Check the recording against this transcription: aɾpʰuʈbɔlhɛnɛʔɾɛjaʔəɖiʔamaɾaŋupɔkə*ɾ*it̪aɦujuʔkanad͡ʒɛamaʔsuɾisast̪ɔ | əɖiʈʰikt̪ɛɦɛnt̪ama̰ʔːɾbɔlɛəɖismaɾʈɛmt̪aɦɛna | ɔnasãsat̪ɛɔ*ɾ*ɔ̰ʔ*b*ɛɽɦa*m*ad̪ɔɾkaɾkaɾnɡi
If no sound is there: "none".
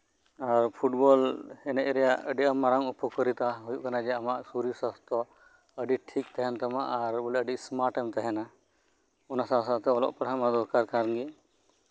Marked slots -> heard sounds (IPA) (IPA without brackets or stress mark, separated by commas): ɾ, l, p, m